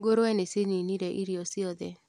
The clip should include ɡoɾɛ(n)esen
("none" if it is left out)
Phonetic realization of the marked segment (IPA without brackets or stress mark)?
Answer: n